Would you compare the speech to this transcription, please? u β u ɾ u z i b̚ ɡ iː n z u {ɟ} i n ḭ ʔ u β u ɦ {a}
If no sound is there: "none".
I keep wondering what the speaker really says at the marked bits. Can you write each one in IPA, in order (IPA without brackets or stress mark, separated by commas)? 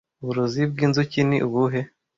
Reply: c, e